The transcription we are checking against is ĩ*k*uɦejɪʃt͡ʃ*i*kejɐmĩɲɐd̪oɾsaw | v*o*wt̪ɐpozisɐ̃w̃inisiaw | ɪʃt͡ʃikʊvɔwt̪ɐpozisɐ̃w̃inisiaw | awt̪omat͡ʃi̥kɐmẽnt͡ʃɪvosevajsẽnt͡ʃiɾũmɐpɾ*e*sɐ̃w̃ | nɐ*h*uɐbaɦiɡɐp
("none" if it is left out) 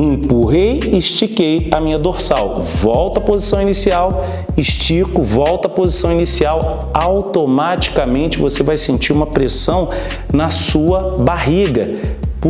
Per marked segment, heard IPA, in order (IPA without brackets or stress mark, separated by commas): p, i, ɔ, e, s